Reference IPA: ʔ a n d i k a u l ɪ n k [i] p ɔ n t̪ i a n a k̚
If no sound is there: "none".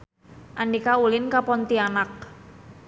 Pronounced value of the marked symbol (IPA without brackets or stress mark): a